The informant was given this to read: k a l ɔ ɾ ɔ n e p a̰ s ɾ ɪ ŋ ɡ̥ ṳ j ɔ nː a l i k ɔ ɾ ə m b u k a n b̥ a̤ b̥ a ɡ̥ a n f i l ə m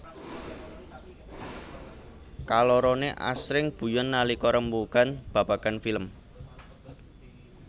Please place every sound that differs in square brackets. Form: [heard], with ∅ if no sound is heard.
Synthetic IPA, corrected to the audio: k a l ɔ ɾ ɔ n e [ʔ] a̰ s ɾ ɪ ŋ [b̥] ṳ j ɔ nː a l i k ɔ ɾ ə m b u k a n b̥ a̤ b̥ a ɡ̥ a n f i l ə m